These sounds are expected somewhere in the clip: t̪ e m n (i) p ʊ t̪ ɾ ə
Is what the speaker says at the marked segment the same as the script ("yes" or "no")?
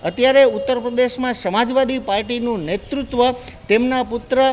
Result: no